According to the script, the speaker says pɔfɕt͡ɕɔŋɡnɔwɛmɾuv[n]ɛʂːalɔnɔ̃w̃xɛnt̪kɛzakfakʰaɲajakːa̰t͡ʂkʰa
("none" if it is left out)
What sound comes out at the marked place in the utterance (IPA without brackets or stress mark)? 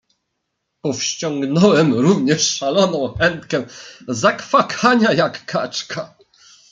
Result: ɲ